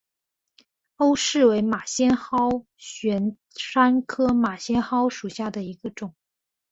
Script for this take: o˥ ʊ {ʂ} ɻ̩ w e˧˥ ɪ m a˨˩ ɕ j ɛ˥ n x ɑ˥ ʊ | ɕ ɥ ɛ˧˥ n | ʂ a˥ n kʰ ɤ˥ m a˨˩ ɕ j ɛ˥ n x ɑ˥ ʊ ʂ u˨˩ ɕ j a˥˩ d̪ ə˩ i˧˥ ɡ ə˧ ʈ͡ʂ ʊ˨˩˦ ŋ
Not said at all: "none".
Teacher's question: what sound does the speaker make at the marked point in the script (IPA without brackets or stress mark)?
ʂ